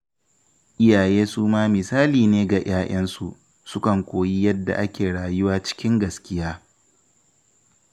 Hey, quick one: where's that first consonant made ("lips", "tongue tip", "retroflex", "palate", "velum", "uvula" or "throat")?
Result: throat